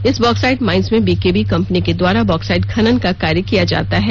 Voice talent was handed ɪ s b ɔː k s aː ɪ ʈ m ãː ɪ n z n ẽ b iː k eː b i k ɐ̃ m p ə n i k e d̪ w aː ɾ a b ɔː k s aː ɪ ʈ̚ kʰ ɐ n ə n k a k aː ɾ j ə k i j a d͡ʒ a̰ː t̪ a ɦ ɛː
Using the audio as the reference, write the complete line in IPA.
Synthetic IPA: ɪ s b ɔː k s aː ɪ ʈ m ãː ɪ n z m ẽ b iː k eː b i k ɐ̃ m p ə n i k e d̪ w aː ɾ a b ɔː k s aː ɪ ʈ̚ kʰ ɐ n ə n k a k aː ɾ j ə k i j a d͡ʒ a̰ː t̪ a ɦ ɛː